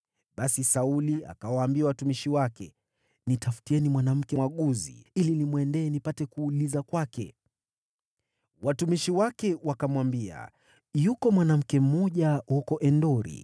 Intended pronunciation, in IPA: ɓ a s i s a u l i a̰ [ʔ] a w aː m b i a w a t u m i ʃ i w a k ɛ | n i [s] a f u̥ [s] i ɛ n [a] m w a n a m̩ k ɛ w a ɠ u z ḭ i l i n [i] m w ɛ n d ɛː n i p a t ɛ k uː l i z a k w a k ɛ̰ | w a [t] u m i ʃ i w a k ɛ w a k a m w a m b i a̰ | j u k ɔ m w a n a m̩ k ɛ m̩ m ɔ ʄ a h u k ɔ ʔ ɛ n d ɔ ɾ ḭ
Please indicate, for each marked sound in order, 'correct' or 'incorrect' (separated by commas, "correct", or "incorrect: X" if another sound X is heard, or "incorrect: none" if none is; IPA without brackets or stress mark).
incorrect: k, incorrect: t, incorrect: t, incorrect: i, correct, correct